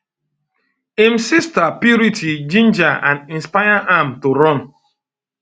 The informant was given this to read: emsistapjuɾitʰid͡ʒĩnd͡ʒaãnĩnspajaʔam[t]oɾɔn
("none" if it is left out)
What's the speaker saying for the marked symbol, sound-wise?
t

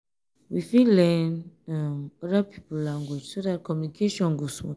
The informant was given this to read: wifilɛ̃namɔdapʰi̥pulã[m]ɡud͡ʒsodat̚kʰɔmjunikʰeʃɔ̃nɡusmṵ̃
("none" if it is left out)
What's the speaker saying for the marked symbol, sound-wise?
ŋ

